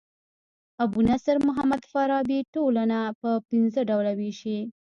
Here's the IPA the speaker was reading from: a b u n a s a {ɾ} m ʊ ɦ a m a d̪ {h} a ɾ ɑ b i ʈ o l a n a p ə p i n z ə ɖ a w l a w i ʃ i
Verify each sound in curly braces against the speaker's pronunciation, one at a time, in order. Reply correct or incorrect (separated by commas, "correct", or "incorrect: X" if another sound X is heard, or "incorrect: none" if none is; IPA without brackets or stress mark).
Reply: correct, incorrect: f